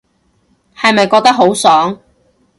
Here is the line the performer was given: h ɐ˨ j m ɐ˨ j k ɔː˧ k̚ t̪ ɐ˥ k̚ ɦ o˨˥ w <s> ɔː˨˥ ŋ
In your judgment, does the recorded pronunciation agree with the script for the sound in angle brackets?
yes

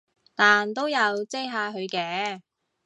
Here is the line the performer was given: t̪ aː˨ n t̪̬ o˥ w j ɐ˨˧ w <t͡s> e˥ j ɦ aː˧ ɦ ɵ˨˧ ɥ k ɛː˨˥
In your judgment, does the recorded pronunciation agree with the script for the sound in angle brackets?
yes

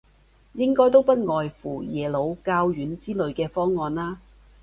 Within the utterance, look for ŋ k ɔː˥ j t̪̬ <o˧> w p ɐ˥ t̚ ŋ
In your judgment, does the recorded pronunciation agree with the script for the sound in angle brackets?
no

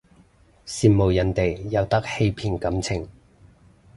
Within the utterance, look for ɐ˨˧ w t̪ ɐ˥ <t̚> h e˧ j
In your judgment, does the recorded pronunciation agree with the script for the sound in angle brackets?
no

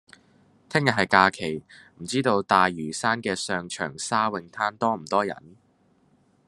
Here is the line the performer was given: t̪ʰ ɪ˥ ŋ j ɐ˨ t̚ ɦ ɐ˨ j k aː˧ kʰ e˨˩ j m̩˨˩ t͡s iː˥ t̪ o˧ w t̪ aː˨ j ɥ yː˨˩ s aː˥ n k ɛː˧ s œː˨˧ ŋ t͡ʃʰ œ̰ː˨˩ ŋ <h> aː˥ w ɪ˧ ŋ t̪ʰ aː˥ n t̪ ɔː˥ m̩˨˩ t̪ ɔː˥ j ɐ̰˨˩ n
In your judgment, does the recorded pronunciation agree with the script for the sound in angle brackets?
no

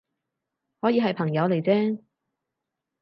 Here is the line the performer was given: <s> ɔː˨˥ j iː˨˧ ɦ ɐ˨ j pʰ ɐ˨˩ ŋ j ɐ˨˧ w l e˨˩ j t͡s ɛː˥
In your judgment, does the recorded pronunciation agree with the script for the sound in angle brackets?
no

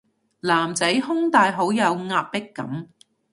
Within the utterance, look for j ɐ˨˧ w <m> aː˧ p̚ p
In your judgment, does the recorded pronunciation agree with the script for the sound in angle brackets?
no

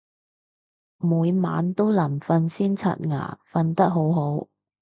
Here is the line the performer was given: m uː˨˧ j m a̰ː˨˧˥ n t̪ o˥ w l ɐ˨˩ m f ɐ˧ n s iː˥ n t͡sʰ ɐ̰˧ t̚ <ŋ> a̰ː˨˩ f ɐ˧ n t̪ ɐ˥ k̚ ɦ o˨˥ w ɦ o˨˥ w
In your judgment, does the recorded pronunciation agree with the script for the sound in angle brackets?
yes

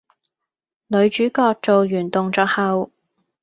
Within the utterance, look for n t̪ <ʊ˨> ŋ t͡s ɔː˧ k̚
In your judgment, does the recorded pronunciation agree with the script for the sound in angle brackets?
yes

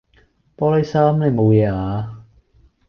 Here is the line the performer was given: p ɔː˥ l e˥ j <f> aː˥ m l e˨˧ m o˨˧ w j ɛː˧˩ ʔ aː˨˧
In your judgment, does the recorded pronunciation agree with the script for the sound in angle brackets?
no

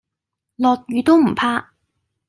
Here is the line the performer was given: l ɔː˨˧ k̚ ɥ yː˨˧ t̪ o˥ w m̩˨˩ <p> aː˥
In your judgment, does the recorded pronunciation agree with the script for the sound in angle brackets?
no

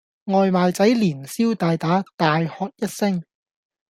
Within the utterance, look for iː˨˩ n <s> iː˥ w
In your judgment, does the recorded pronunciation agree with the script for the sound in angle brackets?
yes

